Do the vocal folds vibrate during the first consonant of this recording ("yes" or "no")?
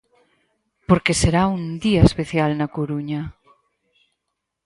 no